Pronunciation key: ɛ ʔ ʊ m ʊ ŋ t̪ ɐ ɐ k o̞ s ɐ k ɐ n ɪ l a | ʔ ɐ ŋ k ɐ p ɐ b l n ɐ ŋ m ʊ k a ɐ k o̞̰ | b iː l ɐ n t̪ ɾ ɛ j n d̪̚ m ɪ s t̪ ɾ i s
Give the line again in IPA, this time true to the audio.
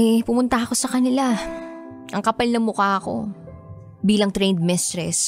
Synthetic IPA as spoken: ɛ p ʊ m ʊ n t̪ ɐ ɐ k o̞ s ɐ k ɐ n ɪ l a | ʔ ɐ ŋ k ɐ p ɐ l n ɐ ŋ m ʊ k a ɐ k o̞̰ | b iː l ɐ ŋ t̪ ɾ ɛ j n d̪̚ m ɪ s t̪ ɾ ɛ s